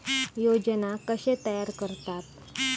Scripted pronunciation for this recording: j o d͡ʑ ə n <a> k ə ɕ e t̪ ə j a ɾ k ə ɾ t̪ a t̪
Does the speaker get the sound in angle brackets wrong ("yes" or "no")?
no